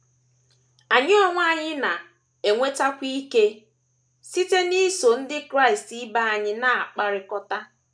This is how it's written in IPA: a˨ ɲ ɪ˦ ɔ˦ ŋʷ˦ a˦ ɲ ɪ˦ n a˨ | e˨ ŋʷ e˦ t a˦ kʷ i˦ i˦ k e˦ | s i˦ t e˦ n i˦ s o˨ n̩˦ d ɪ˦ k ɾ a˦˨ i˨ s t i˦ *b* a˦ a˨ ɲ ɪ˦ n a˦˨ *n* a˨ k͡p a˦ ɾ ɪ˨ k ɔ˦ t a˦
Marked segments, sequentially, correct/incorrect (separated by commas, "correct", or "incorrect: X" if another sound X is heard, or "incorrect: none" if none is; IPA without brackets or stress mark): correct, incorrect: none